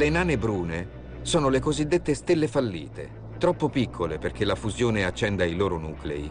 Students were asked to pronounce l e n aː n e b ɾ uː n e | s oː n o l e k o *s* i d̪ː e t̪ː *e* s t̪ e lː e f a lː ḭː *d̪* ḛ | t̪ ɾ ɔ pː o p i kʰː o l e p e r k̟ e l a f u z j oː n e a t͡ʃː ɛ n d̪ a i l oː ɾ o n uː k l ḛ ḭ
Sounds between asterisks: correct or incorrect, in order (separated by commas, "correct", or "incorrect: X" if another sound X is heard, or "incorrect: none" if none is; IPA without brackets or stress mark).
incorrect: z, correct, incorrect: t̪